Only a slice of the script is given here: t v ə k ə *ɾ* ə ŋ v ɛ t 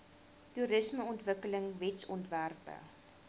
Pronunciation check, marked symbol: incorrect: l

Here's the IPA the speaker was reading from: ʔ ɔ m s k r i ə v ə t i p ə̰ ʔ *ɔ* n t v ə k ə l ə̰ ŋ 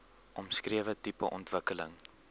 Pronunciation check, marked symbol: correct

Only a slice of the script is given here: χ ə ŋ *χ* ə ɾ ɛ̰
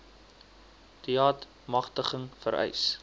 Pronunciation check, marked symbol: incorrect: f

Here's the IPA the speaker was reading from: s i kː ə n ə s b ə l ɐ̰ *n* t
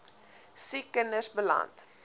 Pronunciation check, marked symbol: correct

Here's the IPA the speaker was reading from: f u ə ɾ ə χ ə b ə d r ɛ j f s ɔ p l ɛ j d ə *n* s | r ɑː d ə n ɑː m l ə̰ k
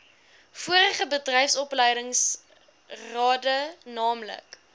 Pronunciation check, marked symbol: incorrect: ŋ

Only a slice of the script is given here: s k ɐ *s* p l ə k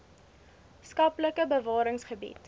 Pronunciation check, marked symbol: incorrect: none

